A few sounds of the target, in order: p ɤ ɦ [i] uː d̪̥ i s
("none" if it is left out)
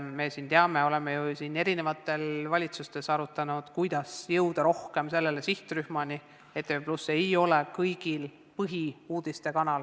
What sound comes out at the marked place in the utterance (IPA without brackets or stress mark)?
i